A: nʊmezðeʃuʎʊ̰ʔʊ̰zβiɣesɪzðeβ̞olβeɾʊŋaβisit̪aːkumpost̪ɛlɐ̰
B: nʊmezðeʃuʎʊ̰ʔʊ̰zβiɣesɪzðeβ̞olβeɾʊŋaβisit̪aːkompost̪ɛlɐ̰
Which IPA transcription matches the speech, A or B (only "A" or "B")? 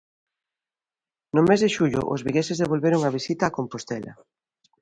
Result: B